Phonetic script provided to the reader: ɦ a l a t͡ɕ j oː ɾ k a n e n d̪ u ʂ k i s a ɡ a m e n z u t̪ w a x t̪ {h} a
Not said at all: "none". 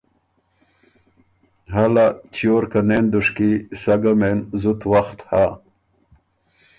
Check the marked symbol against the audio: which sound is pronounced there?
h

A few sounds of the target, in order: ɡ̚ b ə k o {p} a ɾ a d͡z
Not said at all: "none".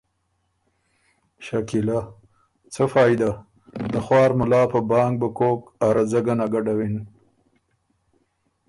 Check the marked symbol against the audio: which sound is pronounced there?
k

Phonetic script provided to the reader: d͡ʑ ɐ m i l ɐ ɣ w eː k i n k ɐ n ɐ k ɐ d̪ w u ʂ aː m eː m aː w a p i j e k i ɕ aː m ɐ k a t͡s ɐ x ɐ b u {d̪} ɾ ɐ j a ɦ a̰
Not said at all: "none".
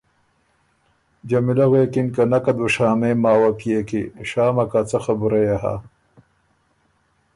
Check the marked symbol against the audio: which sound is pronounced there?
none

